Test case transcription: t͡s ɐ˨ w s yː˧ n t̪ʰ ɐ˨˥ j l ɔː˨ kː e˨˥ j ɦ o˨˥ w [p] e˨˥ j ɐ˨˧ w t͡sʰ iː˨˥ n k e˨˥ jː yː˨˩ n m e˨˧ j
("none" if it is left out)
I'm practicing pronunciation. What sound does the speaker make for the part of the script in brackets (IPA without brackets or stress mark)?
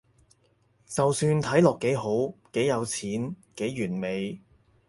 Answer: k